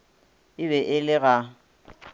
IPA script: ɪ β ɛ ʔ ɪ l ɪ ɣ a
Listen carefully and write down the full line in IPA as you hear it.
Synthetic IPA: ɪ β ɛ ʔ ɪ l ɪ ɣ a